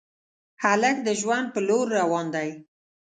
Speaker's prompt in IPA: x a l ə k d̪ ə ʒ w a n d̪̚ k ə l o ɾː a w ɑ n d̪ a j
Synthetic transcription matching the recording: h a l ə k d̪ ə ʒ w a n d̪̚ p ə l o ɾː a w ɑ n d̪ a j